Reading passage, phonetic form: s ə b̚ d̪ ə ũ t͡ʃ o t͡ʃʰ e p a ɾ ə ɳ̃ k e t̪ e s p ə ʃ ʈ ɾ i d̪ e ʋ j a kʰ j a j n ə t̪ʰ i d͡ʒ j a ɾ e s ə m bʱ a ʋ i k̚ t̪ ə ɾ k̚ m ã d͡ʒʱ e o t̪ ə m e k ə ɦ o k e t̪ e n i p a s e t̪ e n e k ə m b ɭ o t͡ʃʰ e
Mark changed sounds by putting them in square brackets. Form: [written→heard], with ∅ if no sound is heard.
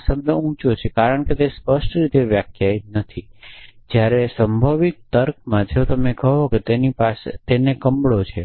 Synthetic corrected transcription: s ə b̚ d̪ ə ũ t͡ʃ o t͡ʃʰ e [p→k] a ɾ ə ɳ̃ k e t̪ e s p ə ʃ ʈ ɾ i [d̪→t̪] e ʋ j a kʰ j a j n ə t̪ʰ i d͡ʒ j a ɾ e s ə m bʱ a ʋ i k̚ t̪ ə ɾ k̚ m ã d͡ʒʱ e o t̪ ə m e k ə ɦ o k e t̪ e n i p a s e t̪ e n e k ə m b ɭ o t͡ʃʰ e